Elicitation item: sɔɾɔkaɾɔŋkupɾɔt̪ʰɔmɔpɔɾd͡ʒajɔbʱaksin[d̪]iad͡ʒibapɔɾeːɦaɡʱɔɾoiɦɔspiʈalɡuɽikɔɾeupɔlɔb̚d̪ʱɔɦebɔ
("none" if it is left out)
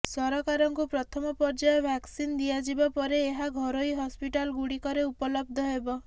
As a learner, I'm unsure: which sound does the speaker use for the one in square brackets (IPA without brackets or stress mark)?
d̪